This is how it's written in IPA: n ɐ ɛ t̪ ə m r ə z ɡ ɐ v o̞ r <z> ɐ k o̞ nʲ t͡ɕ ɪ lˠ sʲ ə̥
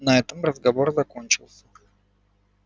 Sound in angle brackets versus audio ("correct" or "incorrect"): correct